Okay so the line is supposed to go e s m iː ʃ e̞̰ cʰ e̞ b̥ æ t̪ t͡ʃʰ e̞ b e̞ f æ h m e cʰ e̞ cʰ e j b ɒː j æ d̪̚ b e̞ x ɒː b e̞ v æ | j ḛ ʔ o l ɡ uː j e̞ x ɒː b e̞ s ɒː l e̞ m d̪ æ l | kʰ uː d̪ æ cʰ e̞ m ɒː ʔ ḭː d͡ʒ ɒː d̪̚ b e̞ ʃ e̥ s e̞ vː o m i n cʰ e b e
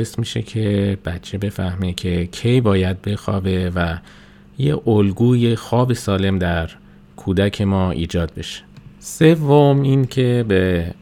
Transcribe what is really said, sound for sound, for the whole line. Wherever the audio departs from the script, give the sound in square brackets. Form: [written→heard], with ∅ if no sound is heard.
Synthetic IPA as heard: e s m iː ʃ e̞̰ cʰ e̞ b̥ æ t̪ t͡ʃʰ e̞ b e̞ f æ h m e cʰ e̞ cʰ e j b ɒː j æ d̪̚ b e̞ x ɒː b e̞ v æ | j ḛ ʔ o l ɡ uː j e̞ x ɒː b e̞ s ɒː l e̞ m d̪ æ [l→ɾ] | kʰ uː d̪ æ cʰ e̞ m ɒː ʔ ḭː d͡ʒ ɒː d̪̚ b e̞ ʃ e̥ s e̞ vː o m i n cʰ e b e